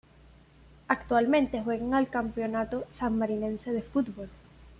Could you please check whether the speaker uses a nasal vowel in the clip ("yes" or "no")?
yes